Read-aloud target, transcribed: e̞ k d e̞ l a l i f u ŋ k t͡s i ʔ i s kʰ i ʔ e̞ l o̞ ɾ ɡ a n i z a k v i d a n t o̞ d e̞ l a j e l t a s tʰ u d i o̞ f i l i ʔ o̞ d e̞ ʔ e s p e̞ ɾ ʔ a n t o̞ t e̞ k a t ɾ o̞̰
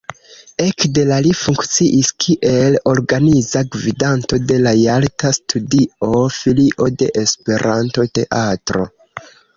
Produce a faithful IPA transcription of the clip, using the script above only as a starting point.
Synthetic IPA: e̞ k d e̞ l a l i f u ŋ k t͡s i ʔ i s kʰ i ʔ e̞ l o̞ ɾ ɡ a n i z a ɡ v i d a n t o̞ d e̞ l a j a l t a s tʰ u d i o̞ f i l i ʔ o̞ d e̞ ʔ e s p e̞ ɾ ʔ a n t o̞ t e̞ ʔ a t ɾ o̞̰